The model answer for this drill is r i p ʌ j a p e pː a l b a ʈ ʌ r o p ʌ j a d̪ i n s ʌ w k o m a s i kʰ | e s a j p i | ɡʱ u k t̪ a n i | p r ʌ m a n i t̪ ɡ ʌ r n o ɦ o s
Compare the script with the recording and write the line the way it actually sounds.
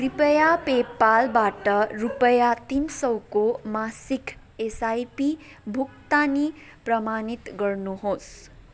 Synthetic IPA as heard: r i p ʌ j a p e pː a l b a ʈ ʌ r u p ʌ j a t̪ i n s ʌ w k o m a s i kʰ | e s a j p i | bʱ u k t̪ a n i | p r ʌ m a n i t̪ ɡ ʌ r n u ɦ o s